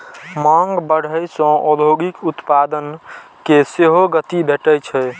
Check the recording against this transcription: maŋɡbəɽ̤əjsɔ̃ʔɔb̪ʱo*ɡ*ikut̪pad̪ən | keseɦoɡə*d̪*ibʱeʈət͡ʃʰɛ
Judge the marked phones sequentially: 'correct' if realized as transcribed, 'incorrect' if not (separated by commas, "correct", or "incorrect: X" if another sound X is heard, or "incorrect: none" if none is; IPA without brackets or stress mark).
correct, incorrect: t̪